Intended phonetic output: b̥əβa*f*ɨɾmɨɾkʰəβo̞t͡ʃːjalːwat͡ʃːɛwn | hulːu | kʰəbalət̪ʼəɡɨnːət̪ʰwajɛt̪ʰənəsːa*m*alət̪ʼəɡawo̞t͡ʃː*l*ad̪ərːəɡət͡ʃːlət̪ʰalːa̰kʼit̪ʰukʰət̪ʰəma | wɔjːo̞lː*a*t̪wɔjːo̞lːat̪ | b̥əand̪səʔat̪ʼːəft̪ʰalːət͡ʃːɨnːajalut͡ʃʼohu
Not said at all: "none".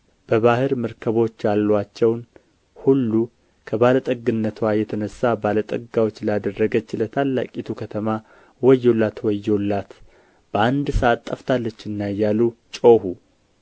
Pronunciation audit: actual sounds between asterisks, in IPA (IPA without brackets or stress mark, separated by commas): h, b, l, a